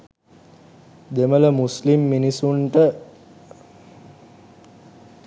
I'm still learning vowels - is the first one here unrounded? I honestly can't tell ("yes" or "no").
yes